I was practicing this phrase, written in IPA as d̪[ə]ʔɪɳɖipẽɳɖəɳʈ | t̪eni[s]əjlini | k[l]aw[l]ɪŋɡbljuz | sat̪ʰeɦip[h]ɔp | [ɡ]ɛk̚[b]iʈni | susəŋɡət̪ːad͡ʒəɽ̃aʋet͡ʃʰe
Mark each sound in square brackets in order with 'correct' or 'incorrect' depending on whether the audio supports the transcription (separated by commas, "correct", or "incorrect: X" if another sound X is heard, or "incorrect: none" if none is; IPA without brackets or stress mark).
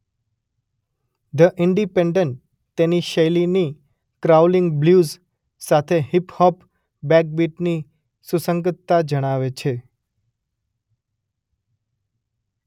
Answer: correct, incorrect: ʃ, incorrect: ɾ, correct, correct, incorrect: b, correct